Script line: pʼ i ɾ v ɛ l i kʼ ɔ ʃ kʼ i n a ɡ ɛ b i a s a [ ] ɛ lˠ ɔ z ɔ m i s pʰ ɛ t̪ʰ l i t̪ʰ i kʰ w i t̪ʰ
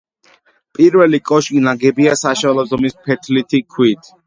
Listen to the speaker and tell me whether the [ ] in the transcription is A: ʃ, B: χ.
A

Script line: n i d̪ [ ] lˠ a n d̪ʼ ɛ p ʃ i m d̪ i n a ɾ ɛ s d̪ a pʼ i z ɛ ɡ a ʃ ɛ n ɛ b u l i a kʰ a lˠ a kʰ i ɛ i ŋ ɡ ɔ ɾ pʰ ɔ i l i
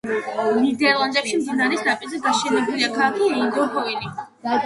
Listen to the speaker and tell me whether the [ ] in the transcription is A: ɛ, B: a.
A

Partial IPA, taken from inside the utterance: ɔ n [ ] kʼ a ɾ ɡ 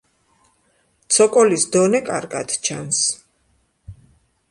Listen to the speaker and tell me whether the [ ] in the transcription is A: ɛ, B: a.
A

